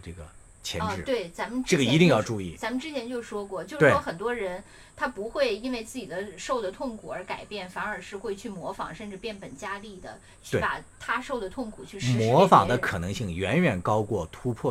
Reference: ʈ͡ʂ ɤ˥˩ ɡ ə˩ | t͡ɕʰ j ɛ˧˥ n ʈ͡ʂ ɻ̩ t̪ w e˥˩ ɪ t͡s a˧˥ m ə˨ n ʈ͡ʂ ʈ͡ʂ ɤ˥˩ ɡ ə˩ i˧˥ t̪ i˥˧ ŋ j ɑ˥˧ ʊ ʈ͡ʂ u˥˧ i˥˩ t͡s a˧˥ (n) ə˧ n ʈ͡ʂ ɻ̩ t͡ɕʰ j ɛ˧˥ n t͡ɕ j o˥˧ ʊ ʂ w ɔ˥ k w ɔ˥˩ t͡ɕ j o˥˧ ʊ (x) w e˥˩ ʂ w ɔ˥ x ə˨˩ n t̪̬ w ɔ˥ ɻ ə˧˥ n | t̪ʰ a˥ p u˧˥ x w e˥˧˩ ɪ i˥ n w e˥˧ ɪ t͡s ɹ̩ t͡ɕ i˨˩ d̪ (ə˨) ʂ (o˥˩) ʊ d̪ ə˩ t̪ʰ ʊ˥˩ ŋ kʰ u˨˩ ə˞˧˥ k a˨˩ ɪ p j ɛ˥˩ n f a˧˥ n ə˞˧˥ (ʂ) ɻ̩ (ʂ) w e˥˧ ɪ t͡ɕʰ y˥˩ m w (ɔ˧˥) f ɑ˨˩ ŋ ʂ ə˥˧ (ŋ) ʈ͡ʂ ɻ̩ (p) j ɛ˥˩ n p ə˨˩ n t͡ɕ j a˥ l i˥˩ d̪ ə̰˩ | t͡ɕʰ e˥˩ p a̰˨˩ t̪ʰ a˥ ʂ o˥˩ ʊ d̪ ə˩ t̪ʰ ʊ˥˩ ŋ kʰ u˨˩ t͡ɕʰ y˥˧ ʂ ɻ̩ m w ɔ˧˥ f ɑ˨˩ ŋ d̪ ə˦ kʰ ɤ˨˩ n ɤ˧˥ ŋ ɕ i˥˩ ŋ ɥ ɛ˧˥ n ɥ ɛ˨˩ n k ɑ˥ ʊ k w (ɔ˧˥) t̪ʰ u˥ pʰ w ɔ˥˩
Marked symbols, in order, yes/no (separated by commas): no, no, no, yes, yes, no, yes, no, yes, no